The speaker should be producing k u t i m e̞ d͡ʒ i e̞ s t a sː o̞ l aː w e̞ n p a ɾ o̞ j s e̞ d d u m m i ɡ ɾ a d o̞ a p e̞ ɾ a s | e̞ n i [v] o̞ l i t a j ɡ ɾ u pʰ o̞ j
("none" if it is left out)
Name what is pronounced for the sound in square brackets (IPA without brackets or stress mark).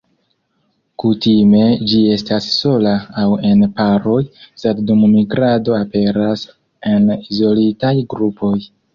z